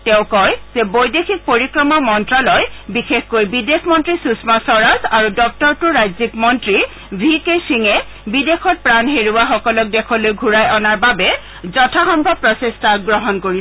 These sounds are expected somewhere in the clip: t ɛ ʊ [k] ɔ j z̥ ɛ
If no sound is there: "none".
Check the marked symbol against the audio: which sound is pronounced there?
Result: k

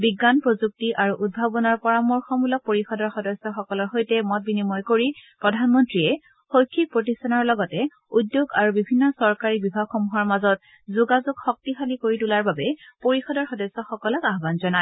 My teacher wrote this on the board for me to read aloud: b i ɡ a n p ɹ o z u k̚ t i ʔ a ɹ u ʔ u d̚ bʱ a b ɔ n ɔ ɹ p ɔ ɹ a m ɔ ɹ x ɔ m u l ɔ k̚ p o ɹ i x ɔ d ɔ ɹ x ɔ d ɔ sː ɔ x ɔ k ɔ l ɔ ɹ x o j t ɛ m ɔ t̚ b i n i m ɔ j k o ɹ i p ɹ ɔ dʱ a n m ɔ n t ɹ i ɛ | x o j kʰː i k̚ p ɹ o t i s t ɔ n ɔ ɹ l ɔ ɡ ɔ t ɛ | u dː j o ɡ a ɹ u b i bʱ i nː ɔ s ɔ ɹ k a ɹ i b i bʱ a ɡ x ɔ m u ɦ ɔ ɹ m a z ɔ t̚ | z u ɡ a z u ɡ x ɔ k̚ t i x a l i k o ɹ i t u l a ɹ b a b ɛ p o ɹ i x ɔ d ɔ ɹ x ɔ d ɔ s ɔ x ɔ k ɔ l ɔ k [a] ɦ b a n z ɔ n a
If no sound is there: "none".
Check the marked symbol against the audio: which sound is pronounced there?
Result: a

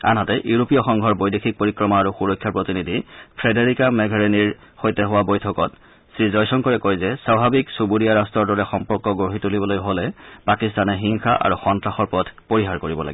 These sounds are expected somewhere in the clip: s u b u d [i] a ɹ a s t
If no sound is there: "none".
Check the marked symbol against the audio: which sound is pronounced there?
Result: i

